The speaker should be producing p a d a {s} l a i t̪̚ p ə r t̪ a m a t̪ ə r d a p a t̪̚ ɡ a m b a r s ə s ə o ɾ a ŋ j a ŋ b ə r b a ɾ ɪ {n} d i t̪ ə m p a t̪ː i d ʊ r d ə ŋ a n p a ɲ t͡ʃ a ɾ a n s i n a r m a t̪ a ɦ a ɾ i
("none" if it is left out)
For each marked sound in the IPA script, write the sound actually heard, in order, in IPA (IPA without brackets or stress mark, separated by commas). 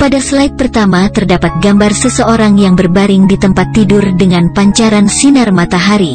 s, ŋ